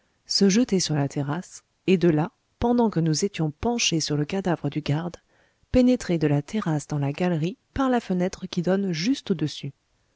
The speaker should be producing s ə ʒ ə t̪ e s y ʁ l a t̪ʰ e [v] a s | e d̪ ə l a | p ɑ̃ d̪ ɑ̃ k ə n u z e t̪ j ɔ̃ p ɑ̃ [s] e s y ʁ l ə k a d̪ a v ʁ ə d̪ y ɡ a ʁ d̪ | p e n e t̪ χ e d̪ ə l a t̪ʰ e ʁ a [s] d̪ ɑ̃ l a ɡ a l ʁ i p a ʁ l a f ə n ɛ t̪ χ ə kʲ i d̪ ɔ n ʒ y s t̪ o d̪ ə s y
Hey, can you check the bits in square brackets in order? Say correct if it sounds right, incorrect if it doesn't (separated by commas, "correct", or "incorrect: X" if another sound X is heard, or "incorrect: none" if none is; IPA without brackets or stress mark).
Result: incorrect: ʁ, incorrect: ʃ, correct